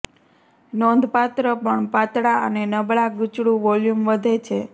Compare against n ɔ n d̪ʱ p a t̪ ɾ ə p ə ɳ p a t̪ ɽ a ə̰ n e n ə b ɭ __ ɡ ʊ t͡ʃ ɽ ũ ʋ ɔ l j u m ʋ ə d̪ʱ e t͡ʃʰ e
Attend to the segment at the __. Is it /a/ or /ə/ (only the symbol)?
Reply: a